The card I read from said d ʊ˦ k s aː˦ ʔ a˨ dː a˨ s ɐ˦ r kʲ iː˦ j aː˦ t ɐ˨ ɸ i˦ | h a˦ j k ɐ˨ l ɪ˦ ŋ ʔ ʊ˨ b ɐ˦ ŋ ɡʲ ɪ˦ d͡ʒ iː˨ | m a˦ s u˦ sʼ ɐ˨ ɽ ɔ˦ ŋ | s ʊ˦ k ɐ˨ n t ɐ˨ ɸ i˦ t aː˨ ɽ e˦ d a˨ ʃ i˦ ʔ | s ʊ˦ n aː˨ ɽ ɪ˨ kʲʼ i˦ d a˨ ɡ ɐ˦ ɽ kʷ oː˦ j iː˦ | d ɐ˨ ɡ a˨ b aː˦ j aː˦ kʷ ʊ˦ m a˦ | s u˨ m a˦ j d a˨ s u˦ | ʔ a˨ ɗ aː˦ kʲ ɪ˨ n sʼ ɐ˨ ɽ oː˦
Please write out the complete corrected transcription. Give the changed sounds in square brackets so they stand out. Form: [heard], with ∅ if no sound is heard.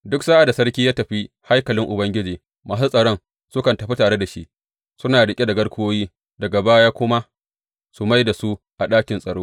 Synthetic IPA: d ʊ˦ k s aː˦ ʔ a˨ [d] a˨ s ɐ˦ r kʲ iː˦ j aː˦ t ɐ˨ ɸ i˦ | h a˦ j k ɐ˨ l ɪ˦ ŋ ʔ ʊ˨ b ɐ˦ ŋ ɡʲ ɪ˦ d͡ʒ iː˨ | m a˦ s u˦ sʼ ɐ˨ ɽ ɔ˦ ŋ | s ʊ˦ k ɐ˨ n t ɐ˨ ɸ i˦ t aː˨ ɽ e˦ d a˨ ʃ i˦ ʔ | s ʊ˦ n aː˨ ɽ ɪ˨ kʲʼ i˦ d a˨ ɡ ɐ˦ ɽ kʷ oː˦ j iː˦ | d ɐ˨ ɡ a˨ b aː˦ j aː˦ kʷ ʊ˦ m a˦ | s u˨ m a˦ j d a˨ s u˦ | ʔ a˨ ɗ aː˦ kʲ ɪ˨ n sʼ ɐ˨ ɽ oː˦